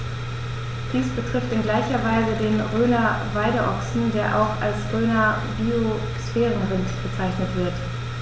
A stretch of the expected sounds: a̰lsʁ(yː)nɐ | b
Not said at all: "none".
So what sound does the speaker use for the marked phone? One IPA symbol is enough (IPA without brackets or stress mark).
øː